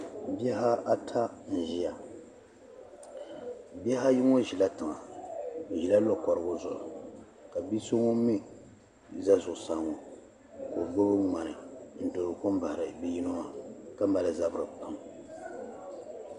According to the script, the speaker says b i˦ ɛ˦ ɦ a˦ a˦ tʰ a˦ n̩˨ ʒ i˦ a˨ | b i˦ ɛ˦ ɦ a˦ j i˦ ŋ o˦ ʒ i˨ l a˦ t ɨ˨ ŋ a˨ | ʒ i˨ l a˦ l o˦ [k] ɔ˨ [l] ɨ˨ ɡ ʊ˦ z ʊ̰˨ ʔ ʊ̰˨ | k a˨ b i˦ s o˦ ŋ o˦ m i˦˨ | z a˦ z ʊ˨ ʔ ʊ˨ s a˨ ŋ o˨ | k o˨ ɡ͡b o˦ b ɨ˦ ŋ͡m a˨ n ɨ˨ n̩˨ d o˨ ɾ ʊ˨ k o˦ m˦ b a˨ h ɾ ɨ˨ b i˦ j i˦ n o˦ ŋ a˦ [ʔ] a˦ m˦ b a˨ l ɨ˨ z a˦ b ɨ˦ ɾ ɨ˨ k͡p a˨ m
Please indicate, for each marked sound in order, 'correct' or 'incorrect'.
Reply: correct, incorrect, incorrect

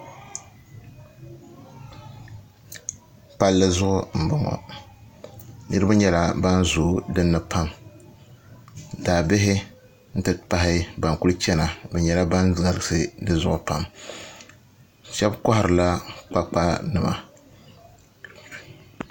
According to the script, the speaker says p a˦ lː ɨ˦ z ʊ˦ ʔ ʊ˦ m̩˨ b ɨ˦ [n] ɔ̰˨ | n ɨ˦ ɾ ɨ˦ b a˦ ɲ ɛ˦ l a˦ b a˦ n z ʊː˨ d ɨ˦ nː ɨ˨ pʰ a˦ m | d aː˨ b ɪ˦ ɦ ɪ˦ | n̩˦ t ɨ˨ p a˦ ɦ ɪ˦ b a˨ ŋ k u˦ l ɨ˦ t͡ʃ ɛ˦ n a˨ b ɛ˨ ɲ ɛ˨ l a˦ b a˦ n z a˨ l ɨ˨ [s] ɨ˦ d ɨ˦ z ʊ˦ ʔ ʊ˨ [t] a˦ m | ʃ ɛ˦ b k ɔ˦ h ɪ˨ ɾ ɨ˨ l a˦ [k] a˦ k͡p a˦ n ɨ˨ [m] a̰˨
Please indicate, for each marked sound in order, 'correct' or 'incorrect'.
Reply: incorrect, correct, incorrect, incorrect, correct

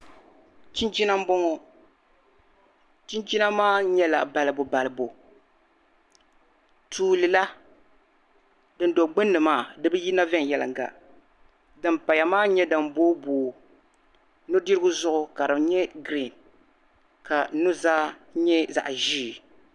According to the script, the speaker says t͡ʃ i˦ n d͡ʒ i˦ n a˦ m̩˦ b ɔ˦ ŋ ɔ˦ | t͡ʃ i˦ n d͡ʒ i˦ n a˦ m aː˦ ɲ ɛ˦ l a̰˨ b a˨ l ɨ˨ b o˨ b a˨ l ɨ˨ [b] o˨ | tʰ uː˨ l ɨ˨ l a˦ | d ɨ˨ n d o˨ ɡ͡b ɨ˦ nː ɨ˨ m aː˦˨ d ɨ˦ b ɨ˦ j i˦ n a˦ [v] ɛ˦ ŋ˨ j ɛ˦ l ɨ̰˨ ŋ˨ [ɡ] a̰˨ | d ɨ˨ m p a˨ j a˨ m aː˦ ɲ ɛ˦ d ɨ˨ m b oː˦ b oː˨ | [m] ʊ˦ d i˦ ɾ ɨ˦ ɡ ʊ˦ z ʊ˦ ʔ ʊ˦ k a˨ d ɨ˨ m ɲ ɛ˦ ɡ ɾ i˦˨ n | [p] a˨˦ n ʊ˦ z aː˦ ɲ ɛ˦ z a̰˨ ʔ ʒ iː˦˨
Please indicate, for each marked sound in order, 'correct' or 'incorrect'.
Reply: correct, correct, correct, incorrect, incorrect

